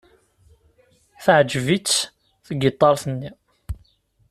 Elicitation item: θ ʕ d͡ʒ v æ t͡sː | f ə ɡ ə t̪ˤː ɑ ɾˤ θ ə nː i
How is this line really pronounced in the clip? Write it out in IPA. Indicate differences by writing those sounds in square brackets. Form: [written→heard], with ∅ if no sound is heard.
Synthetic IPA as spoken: θ ʕ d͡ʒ v [æ→i] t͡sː | [f→θ] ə ɡ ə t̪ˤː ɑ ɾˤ θ ə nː i